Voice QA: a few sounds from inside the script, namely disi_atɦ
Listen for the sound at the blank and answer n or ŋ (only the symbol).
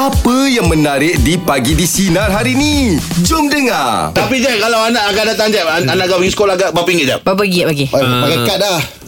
n